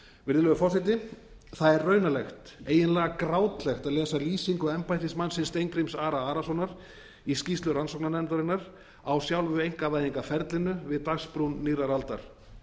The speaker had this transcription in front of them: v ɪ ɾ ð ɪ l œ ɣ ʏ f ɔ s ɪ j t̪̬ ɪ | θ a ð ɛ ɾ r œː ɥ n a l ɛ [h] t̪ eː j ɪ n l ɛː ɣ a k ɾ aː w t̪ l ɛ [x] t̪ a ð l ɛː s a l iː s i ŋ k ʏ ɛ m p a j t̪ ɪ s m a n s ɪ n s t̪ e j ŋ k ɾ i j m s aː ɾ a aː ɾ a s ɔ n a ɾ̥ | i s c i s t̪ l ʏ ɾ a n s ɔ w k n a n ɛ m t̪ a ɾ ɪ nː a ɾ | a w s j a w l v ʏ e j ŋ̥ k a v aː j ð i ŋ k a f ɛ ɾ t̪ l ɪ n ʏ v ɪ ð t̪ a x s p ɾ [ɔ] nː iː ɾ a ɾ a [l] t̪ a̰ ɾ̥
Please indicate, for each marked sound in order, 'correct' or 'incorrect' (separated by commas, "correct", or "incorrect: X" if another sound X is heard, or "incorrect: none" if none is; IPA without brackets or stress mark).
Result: incorrect: x, correct, incorrect: u, correct